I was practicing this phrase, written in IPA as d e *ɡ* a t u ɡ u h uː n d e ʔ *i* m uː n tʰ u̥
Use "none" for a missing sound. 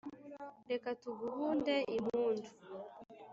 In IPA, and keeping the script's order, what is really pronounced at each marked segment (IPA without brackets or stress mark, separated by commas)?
k, i